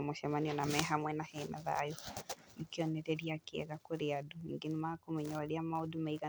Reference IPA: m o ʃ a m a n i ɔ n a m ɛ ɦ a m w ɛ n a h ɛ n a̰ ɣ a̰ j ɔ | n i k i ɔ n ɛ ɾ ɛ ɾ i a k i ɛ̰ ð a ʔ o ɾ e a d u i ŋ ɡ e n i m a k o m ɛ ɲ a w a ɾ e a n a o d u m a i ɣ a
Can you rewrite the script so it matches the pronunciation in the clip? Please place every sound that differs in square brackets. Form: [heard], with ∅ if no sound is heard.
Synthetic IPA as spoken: m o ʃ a m a n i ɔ n a m ɛ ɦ a m w ɛ n a h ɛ n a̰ [ð] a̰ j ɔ | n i k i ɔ n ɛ ɾ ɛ ɾ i a k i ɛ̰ [ɣ] a [k] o ɾ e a d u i ŋ ɡ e n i m a k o m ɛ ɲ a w a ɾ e a [m] a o d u m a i ɣ a